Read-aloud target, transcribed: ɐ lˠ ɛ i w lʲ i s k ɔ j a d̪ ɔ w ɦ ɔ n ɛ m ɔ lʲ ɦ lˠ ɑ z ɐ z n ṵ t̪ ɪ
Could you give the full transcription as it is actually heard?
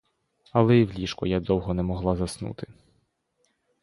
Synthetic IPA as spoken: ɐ lˠ ɛ i w lʲ i ʃ k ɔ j a d̪ ɔ w ɦ ɔ n ɛ m ɔ ɦ lˠ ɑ z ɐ s n ṵ t̪ ɪ